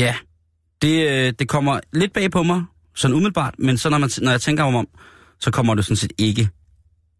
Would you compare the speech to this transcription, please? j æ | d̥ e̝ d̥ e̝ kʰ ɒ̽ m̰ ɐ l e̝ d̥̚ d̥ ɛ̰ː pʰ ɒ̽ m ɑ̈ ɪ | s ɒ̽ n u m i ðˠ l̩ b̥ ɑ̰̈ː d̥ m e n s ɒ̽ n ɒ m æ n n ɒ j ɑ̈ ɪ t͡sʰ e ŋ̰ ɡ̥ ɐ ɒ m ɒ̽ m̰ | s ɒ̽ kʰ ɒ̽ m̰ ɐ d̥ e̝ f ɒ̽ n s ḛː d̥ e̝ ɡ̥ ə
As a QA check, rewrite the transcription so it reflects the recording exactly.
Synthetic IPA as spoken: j æ | d̥ e̝ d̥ e̝ kʰ ɒ̽ m̰ ɐ l e̝ d̥̚ b̥ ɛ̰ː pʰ ɒ̽ m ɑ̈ ɪ | s ɒ̽ n u m i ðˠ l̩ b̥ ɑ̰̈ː d̥ m e n s ɒ̽ n ɒ m æ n n ɒ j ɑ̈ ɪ t͡sʰ e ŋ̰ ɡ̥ ɐ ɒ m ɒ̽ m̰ | s ɒ̽ kʰ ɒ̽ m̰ ɐ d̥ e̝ s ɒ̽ n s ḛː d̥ e̝ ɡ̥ ə